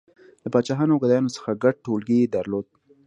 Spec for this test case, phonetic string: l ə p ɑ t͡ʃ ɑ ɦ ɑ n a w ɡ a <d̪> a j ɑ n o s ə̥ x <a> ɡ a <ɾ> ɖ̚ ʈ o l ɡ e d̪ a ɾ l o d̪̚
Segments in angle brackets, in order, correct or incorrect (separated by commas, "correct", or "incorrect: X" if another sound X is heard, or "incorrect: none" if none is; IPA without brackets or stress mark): correct, correct, incorrect: none